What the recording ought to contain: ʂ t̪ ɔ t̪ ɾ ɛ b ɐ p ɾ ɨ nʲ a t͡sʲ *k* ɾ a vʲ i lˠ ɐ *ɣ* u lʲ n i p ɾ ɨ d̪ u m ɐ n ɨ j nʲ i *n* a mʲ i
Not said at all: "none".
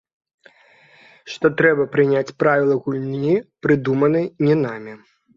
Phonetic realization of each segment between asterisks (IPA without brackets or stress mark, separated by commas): p, ɣ, n